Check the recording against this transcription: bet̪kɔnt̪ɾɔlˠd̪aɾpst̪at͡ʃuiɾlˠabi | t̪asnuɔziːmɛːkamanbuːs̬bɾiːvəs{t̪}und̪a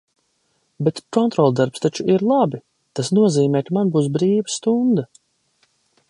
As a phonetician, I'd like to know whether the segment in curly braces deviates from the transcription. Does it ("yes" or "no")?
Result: no